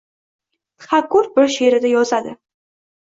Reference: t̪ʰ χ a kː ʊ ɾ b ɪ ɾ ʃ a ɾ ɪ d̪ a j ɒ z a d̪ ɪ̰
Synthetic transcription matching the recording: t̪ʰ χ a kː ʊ ɾ b ɪ ɾ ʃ e ɾ ɪ d̪ a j ɒ z a d̪ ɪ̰

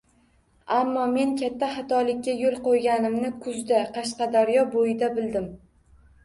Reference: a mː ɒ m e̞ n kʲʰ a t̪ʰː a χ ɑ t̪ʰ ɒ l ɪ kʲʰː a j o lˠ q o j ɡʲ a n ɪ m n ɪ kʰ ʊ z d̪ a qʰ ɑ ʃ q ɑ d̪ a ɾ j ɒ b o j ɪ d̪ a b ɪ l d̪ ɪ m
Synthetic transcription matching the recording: a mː ɒ m e̞ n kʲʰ a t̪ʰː a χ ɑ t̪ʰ ɒ l ɪ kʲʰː a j o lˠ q o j ɡʲ a n ɪ m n ɪ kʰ ʊ z d̪ a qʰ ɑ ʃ q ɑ d̪ a ɾ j ɒ b o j ɪ d̪ a b ɪ l d̪ ɪ m

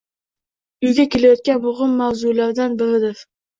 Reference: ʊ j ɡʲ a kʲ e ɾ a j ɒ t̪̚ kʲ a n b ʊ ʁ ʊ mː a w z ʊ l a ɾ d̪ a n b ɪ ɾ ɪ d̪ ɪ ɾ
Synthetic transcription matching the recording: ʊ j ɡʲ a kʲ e l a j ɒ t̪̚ kʲ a n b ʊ ʁ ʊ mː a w z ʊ l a ɾ d̪ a n b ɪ ɾ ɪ d̪ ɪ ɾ

